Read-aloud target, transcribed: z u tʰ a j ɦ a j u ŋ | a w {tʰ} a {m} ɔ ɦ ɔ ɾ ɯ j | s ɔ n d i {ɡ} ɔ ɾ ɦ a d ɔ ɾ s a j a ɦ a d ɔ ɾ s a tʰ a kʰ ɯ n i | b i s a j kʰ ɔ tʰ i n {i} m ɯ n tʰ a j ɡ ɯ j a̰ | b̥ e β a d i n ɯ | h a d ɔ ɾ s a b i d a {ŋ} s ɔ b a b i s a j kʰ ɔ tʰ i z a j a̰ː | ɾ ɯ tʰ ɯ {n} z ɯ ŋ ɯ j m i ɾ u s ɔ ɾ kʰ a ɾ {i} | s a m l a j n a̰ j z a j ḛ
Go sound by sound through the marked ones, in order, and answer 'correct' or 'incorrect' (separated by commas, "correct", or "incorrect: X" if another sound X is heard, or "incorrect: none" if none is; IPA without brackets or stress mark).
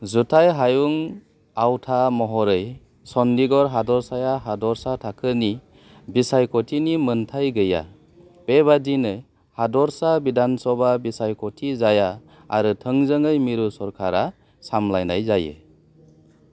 correct, correct, correct, correct, incorrect: n, incorrect: ŋ, incorrect: a